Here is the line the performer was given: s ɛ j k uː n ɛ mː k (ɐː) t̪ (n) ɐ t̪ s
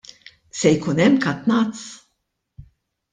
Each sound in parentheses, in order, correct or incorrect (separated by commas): incorrect, correct